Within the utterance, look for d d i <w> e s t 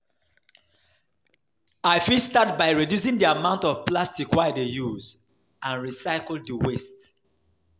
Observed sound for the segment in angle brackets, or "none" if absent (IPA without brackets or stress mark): w